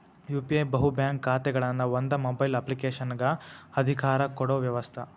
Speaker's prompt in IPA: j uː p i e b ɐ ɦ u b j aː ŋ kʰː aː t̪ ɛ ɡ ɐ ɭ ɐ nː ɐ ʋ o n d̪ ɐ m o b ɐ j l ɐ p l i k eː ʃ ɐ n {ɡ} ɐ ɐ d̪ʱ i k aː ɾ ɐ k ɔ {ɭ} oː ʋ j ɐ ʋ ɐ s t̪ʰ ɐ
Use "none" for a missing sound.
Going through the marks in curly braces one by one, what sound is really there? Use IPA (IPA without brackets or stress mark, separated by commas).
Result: ɡ, ɽ